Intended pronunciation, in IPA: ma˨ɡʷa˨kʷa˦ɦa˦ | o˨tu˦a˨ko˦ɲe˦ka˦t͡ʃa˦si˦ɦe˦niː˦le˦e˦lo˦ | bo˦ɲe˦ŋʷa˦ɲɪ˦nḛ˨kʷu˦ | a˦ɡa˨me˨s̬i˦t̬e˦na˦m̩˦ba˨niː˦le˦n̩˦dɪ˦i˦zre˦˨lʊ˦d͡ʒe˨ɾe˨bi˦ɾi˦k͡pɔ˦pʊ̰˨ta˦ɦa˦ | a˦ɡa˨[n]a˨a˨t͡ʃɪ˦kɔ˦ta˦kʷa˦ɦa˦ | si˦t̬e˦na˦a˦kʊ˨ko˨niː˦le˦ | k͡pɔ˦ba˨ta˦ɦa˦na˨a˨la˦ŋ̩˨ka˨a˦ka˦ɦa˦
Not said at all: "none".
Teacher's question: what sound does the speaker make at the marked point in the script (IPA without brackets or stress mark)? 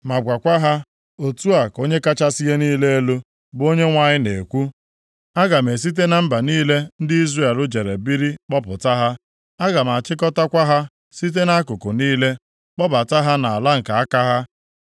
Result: m